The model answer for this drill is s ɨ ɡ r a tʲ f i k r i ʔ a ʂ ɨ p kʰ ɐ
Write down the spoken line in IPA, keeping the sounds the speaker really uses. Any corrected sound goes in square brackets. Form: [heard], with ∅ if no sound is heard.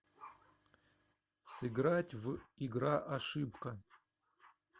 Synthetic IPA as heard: s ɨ ɡ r a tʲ [v] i [ɡ] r [a] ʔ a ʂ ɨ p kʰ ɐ